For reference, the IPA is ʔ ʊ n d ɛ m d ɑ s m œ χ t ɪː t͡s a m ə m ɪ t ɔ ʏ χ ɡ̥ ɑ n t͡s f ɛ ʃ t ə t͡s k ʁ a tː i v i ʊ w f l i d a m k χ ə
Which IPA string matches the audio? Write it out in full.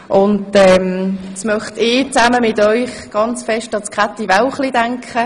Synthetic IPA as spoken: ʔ ʊ n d ɛ m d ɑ s m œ χ t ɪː t͡s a m ə m ɪ t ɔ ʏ χ ɡ̥ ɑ n t͡s f ɛ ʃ t ɑ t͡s k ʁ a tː i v a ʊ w χ l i d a ŋ k χ ə